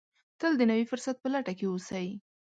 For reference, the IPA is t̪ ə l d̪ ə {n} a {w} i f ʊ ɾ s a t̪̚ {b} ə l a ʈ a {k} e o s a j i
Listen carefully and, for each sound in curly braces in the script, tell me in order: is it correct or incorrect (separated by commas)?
correct, correct, incorrect, correct